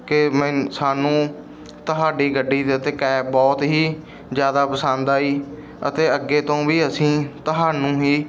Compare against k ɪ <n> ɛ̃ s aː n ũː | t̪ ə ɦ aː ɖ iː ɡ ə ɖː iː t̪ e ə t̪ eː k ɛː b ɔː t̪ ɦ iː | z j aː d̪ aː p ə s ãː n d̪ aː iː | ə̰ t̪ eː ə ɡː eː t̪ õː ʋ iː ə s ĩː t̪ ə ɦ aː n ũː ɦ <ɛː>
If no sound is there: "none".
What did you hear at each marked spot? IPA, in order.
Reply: m, iː

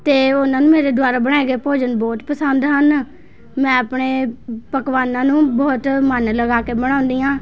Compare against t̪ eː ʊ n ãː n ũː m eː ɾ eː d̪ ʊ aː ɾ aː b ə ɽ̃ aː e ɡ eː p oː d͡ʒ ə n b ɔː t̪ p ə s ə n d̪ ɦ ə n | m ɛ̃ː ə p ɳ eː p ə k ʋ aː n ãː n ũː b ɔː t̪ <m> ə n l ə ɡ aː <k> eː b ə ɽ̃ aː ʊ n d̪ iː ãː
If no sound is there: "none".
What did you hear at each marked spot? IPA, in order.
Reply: m, k

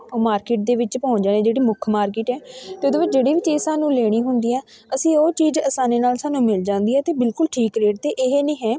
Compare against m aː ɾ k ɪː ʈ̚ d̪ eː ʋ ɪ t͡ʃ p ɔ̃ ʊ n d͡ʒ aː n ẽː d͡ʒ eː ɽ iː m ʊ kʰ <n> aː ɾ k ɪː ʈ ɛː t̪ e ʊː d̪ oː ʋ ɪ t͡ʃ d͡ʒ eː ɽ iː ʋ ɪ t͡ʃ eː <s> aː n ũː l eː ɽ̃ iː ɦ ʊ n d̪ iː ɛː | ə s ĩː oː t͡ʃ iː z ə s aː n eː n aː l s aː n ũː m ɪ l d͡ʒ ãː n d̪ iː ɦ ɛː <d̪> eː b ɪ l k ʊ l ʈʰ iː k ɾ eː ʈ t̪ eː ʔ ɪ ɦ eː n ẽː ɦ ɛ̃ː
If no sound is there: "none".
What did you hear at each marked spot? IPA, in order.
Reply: m, s, t̪

